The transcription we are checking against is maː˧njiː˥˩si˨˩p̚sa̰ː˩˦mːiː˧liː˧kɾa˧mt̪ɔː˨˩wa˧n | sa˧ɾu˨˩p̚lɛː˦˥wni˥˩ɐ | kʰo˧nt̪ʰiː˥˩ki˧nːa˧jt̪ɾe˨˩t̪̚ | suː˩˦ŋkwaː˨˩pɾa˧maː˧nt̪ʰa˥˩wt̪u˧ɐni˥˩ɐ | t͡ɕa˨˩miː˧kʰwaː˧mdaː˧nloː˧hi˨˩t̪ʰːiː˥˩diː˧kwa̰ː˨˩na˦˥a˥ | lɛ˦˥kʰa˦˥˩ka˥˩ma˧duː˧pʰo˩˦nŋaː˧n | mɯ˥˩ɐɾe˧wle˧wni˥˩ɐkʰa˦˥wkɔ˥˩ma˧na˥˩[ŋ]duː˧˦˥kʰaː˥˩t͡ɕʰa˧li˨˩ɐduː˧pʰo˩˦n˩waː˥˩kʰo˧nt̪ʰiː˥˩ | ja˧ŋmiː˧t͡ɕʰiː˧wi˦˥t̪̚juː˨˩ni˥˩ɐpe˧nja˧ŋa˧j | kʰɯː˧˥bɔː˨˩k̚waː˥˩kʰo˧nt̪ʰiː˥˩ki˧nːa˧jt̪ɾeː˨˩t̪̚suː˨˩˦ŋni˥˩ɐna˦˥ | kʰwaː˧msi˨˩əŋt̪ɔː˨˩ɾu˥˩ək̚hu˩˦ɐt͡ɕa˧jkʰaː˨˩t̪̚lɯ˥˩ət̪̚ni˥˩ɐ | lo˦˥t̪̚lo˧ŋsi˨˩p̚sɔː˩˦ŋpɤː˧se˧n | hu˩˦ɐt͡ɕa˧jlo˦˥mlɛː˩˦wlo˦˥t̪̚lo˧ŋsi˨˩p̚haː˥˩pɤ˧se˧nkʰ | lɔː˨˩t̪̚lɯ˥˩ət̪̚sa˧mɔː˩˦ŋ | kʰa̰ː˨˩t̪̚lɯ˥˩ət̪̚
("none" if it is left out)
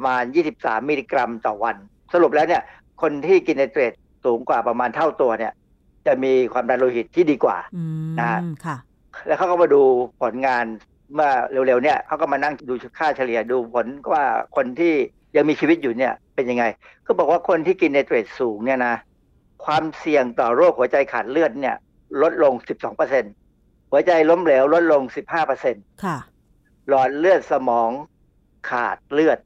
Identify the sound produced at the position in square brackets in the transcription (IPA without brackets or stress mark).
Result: ŋ